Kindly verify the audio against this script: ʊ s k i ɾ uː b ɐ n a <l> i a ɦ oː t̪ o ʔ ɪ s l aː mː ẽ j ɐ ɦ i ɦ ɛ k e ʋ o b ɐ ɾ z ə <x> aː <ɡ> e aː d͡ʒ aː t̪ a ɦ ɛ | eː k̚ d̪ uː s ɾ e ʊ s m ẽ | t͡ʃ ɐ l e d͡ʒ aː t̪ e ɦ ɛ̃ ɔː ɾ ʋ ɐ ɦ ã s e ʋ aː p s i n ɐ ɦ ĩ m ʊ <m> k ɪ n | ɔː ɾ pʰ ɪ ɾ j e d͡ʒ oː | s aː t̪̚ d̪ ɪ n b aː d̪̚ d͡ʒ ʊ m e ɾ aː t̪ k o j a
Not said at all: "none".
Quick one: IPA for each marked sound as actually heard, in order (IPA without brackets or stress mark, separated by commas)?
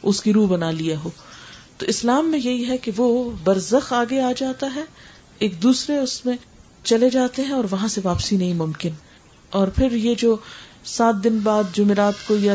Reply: l, x, ɡ, m